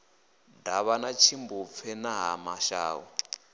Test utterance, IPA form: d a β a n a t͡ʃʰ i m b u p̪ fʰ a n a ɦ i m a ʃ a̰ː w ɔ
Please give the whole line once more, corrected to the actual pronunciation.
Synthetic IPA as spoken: d a β a n a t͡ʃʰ i m b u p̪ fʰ ɛ n a ɦ a m a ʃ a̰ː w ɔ